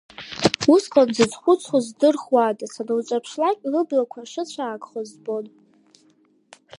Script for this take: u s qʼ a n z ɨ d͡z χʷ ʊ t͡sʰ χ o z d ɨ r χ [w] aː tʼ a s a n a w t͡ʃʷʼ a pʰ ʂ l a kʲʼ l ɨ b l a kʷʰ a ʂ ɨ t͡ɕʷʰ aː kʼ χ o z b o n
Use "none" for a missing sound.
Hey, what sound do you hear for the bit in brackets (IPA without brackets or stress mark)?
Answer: w